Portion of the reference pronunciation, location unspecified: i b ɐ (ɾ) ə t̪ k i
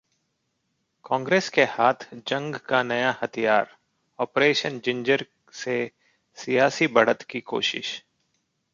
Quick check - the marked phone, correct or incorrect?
incorrect